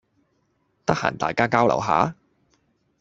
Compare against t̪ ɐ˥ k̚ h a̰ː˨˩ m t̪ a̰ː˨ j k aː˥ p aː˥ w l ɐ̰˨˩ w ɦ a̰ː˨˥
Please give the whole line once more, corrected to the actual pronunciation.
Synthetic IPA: t̪ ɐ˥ k̚ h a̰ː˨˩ n t̪ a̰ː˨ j k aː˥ k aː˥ w l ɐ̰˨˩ w ɦ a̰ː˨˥